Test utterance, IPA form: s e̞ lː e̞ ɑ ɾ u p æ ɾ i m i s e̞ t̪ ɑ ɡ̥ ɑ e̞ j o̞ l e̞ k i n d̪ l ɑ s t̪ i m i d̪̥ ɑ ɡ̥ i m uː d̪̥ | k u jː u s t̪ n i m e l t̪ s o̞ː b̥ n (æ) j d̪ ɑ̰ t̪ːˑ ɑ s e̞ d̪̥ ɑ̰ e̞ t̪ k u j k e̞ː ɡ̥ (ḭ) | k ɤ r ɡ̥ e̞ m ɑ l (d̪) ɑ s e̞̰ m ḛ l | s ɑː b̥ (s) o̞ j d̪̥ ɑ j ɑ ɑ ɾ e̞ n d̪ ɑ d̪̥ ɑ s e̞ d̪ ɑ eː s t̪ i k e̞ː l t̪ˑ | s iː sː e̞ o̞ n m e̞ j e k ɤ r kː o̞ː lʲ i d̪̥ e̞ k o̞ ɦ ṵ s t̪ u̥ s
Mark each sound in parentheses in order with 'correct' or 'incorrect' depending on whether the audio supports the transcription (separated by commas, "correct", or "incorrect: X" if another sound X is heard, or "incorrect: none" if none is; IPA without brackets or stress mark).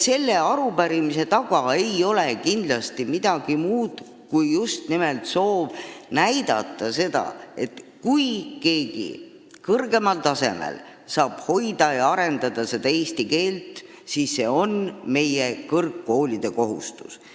correct, correct, incorrect: t̪, incorrect: h